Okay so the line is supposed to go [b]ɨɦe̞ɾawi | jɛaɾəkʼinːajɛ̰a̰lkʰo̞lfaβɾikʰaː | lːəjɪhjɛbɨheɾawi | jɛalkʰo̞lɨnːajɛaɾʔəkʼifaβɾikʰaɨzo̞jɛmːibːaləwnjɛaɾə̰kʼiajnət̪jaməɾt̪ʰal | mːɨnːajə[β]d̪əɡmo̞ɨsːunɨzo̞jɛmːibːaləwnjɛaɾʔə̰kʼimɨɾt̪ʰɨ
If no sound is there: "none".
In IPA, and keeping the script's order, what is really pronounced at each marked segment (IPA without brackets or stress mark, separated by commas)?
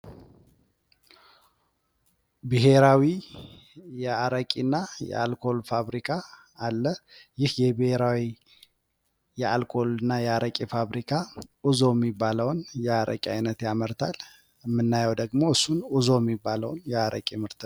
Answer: b, w